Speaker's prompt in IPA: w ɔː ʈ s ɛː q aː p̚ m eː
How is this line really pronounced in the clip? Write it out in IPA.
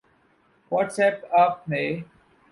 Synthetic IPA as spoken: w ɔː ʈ s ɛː p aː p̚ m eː